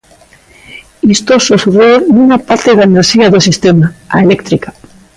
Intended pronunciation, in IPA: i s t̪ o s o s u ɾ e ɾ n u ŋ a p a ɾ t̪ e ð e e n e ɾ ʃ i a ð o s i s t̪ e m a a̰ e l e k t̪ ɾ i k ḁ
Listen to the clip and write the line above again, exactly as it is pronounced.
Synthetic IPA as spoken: i s t̪ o s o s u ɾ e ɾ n u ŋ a p a ɾ t̪ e ð a e n e ɾ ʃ i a ð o s i s t̪ e m a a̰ e l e k t̪ ɾ i k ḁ